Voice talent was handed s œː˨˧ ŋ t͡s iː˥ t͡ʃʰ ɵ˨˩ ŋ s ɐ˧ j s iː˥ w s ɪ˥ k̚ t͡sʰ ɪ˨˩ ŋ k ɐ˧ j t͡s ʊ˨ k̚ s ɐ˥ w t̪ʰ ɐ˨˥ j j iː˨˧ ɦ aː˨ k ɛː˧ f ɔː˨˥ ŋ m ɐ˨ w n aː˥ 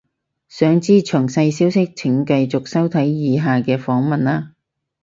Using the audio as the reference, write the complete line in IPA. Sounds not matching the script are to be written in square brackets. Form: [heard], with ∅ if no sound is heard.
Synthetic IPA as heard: s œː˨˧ ŋ t͡s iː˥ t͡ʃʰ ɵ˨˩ ŋ s ɐ˧ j s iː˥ w s ɪ˥ k̚ t͡sʰ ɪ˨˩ ŋ k ɐ˧ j t͡s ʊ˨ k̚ s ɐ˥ w t̪ʰ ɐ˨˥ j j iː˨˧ ɦ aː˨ k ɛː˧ f ɔː˨˥ ŋ m ɐ˨ [∅] n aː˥